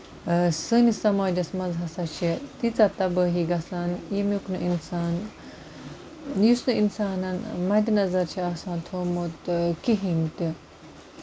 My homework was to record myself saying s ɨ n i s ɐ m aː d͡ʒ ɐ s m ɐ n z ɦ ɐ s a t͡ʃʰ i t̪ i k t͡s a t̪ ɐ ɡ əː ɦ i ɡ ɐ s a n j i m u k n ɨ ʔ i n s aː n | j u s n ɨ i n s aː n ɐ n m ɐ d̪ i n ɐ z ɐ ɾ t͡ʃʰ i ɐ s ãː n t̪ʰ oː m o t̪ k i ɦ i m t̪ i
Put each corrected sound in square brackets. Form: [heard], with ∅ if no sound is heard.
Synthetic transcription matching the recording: s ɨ n i s ɐ m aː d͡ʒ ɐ s m ɐ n z ɦ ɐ s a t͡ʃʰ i t̪ i [∅] t͡s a t̪ ɐ [b] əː ɦ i ɡ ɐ s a n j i m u k n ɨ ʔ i n s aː n | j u s n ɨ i n s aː n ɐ n m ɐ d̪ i n ɐ z ɐ ɾ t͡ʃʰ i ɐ s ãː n t̪ʰ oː m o t̪ k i ɦ i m t̪ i

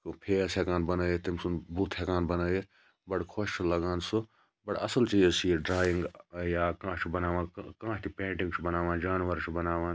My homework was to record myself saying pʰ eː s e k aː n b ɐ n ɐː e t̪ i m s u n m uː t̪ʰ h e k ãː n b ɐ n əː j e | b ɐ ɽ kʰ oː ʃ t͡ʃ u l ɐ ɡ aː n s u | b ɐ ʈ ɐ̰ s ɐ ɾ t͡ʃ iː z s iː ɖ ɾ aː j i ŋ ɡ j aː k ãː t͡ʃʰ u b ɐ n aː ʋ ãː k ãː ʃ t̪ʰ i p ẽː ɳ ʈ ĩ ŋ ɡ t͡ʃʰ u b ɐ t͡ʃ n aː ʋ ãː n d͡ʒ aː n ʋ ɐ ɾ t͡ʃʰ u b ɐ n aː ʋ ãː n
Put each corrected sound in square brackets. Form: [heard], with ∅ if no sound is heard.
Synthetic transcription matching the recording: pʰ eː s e k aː n b ɐ n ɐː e t̪ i m s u n [b] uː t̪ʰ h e k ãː n b ɐ n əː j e | b ɐ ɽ kʰ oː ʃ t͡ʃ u l ɐ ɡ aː n s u | b ɐ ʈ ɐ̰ s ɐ [l] t͡ʃ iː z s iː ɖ ɾ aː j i ŋ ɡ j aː k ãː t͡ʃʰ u b ɐ n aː ʋ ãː k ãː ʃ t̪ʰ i p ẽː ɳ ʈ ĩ ŋ ɡ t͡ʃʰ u b ɐ [∅] n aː ʋ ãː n d͡ʒ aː n ʋ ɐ ɾ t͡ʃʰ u b ɐ n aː ʋ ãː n

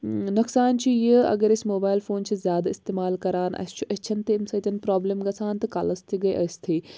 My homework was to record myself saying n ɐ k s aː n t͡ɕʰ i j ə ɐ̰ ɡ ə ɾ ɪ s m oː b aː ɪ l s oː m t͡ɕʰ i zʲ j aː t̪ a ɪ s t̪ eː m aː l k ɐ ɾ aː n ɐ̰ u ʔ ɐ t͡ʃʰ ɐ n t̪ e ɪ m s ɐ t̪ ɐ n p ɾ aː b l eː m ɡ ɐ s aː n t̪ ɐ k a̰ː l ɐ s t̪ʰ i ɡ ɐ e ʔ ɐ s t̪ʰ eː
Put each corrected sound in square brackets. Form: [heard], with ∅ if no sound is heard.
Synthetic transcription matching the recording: n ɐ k s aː n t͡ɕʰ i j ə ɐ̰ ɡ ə ɾ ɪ s m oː b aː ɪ l [f] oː [n] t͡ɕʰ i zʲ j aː [d̪] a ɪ s t̪ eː m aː l k ɐ ɾ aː n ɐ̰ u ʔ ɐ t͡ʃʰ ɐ n t̪ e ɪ m s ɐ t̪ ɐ n p ɾ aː b l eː m ɡ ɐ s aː n t̪ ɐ k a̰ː l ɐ s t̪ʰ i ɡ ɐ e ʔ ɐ s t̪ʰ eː

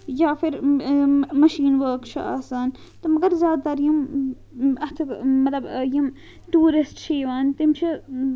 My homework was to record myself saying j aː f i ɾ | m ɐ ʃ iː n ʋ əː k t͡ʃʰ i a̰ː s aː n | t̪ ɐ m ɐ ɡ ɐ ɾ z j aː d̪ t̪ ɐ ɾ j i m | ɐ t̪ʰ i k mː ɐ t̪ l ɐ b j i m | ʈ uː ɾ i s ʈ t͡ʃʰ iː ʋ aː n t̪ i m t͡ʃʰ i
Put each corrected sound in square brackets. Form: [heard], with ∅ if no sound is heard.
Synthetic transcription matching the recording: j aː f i ɾ | m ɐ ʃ iː n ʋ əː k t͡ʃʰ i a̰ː s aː n | t̪ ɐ m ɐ ɡ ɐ ɾ z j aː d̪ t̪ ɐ ɾ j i m | ɐ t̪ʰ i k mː ɐ t̪ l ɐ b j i m | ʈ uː ɾ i s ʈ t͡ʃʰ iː ʋ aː n t̪ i m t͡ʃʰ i

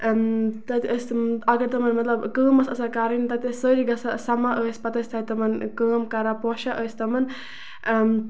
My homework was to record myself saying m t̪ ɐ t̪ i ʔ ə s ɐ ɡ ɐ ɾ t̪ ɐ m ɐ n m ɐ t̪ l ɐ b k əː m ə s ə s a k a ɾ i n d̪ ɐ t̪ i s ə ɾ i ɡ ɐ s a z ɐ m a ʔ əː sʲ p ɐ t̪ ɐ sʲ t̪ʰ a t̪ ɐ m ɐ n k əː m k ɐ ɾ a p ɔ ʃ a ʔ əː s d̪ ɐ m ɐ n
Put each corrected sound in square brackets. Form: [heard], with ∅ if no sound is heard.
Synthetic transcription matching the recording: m t̪ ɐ t̪ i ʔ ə s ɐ ɡ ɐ ɾ t̪ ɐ m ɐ n m ɐ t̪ l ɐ b k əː m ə s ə s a k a ɾ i n [t̪] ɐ t̪ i s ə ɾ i ɡ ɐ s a [s] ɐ m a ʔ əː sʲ p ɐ t̪ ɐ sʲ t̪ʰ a t̪ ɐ m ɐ n k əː m k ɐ ɾ a p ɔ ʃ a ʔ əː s [t̪] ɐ m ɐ n

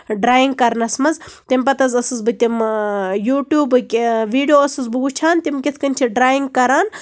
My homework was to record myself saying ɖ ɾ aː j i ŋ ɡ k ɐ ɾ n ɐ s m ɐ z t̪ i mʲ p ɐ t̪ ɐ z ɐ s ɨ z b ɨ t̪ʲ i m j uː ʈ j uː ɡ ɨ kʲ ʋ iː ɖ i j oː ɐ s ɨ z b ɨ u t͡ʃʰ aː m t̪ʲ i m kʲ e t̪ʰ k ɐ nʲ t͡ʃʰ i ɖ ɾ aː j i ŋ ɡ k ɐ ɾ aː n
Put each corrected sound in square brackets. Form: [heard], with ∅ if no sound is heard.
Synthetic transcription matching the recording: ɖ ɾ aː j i ŋ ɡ k ɐ ɾ n ɐ s m ɐ z t̪ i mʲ p ɐ t̪ ɐ z ɐ s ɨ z b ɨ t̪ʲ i m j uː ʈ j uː [b] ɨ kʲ ʋ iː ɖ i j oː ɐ s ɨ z b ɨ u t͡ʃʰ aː [n] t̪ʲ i m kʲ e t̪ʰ k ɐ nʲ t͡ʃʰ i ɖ ɾ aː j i ŋ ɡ k ɐ ɾ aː n

